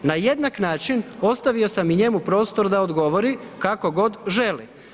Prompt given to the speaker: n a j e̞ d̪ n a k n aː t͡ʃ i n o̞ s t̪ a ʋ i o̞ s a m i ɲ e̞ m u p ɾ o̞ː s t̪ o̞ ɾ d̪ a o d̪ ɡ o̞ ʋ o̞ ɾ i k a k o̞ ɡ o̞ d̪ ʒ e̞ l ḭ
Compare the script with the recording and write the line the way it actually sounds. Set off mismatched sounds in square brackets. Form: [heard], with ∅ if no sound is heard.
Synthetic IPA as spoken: n a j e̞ d̪ n a k n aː t͡ʃ i n o̞ s t̪ a ʋ i o̞ s a m i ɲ e̞ m u p ɾ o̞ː s t̪ o̞ ɾ d̪ a o d̪ ɡ o̞ ʋ o̞ ɾ i k a k o̞ ɡ o̞ d̪ ʒ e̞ l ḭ